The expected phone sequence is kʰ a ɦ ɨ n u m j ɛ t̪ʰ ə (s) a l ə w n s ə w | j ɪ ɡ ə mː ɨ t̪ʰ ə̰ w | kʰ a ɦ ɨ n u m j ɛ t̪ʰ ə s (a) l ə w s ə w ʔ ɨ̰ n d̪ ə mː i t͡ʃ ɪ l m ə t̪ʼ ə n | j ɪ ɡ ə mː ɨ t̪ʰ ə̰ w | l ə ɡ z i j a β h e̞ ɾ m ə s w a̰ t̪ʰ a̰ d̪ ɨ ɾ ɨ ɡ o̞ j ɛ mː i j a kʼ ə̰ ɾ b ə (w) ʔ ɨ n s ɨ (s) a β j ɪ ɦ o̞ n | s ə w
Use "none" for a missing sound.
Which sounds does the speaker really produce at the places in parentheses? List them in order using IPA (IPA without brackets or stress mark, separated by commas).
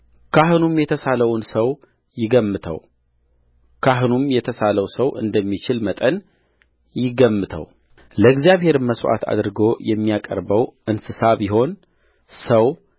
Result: s, a, w, s